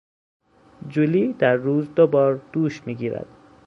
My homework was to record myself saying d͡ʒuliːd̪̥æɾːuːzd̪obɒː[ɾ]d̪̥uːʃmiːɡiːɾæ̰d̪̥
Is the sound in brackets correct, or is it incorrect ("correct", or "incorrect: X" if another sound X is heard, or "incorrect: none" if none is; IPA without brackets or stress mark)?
correct